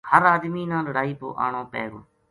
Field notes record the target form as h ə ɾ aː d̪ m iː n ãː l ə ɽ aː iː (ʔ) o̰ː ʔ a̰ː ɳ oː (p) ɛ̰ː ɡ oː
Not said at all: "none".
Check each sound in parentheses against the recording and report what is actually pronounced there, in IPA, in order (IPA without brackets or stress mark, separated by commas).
p, p